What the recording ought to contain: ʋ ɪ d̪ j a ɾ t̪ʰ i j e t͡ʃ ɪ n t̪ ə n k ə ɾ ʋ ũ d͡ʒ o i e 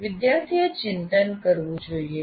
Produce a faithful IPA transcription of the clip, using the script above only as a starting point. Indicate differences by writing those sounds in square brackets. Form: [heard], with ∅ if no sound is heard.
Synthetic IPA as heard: ʋ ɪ d̪ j a ɾ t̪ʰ i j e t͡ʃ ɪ n t̪ ə n k ə ɾ ʋ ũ d͡ʒ o i e